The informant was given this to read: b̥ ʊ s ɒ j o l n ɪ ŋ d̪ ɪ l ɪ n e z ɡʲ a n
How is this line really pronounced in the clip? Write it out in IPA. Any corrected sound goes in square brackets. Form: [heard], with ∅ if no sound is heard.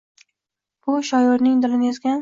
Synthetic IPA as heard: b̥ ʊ [ʃ] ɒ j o [ɾ] n ɪ ŋ d̪ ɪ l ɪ n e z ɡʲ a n